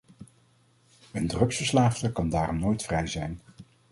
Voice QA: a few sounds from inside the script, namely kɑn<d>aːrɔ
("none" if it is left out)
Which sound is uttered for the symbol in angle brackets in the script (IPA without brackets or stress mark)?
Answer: d